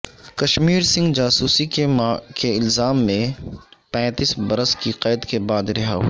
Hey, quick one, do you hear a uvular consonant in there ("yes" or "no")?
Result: yes